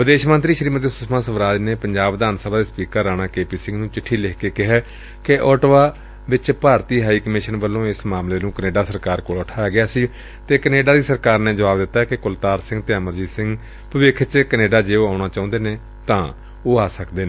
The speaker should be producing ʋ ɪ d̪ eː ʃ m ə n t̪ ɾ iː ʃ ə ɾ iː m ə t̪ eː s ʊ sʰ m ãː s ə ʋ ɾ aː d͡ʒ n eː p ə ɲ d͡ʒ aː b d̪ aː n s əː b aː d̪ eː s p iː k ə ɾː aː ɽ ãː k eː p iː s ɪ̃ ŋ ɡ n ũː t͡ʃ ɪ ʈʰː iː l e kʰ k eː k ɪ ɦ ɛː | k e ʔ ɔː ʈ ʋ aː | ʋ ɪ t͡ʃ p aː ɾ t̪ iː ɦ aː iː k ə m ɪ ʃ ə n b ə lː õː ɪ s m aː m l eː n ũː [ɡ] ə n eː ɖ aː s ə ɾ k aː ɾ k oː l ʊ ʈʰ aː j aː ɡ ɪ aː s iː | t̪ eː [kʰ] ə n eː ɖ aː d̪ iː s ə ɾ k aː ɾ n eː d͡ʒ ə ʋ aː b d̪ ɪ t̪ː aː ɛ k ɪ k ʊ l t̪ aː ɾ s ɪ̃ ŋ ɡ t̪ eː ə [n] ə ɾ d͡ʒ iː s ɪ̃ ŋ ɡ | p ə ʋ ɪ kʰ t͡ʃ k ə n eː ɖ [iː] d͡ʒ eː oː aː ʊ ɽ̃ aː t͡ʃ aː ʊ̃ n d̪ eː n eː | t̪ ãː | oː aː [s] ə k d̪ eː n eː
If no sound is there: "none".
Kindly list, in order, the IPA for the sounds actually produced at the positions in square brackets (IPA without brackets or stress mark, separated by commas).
k, k, m, aː, s